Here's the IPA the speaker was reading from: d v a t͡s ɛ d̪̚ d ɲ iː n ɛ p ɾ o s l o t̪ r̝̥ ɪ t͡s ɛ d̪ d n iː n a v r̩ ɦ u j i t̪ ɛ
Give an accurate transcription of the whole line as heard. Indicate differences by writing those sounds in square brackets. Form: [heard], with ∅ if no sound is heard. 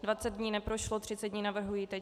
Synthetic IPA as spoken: d v a t͡s ɛ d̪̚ d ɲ iː n ɛ p ɾ o [ʃ] l o t̪ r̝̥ ɪ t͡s ɛ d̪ d [ɲ] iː n a v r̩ ɦ u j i t̪ ɛ